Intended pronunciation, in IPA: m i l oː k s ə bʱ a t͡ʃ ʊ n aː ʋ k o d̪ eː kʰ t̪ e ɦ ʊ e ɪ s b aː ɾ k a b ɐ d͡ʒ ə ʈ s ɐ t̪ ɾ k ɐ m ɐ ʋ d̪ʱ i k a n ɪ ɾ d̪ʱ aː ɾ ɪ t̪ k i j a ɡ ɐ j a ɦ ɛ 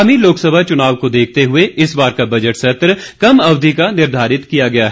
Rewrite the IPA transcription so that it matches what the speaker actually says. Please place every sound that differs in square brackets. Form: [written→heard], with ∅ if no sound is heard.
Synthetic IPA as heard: m i l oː k s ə bʱ a t͡ʃ ʊ n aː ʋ k o d̪ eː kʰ t̪ e ɦ ʊ e ɪ s b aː ɾ k a b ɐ d͡ʒ ə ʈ s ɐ t̪ ɾ k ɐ m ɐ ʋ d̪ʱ i k a n ɪ ɾ d̪ʱ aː ɾ ɪ t̪ k i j a ɡ ɐ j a ɦ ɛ